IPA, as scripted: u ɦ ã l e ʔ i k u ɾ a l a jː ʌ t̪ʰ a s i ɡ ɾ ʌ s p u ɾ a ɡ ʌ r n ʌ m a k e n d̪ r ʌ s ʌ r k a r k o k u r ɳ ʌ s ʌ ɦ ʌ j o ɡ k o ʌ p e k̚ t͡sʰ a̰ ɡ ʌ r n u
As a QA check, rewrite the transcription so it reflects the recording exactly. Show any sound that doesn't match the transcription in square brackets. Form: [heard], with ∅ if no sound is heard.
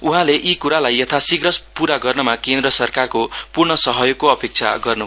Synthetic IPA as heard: u ɦ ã l e ʔ i k u ɾ a l a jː ʌ t̪ʰ a s i ɡ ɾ ʌ s p u ɾ a ɡ ʌ r n ʌ m a k e n d̪ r ʌ s ʌ r k a r k o [p] u r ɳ ʌ s ʌ ɦ ʌ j o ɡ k o ʌ p e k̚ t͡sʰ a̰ ɡ ʌ r n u